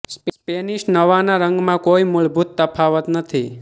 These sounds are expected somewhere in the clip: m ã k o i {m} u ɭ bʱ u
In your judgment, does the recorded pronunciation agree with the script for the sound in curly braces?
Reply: yes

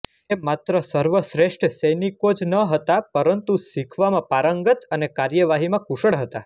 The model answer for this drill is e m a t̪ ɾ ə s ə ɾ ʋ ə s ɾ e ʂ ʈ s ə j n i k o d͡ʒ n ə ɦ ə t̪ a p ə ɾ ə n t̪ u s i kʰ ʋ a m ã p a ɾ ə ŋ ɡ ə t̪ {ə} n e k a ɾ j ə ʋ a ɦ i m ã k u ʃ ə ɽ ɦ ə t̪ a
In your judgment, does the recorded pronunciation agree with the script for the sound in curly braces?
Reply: yes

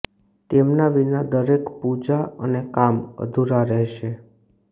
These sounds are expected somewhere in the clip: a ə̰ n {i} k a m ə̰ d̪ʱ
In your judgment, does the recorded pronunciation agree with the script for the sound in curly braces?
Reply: no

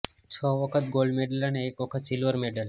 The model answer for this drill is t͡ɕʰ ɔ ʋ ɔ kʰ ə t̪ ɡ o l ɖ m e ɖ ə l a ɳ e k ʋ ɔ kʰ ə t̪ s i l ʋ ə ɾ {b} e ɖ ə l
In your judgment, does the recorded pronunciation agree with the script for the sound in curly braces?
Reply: no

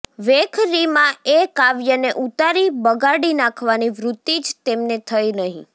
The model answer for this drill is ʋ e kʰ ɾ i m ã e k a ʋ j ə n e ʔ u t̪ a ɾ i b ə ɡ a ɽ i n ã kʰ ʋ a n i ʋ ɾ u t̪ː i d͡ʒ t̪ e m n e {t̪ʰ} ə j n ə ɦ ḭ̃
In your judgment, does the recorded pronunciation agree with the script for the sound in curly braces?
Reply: yes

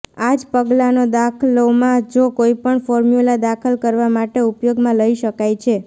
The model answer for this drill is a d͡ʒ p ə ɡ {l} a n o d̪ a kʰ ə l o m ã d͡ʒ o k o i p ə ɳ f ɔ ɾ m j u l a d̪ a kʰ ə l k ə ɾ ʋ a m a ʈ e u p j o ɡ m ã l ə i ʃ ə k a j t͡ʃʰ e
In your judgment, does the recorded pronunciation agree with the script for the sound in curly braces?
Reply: yes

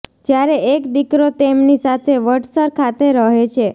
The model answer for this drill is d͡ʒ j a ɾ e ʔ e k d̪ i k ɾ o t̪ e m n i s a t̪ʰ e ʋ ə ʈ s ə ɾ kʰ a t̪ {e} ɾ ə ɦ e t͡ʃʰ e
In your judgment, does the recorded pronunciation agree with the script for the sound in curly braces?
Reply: yes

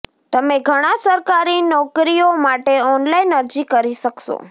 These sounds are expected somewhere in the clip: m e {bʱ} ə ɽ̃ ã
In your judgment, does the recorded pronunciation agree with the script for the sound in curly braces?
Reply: no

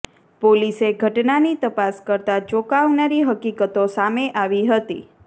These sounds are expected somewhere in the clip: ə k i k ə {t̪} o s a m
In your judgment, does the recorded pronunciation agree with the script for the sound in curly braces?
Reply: yes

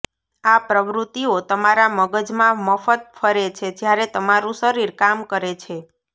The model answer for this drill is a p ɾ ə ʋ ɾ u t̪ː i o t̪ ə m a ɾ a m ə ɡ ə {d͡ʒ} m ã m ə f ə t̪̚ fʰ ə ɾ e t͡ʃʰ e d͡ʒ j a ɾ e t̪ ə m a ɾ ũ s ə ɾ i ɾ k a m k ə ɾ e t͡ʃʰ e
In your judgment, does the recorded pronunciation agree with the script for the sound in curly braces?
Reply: yes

